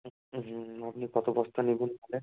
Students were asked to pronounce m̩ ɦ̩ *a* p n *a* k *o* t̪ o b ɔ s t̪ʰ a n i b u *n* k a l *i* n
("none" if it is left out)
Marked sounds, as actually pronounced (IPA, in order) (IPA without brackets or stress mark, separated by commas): a, i, ɔ, n, e